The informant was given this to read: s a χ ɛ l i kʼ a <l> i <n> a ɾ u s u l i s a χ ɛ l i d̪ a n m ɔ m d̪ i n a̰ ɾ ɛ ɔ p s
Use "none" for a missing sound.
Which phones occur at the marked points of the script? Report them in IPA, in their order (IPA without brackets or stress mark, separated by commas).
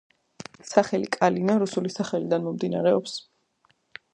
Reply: l, n